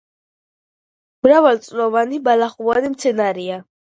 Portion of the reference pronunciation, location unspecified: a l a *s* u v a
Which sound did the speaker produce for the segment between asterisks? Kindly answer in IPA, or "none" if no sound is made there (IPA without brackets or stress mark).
χ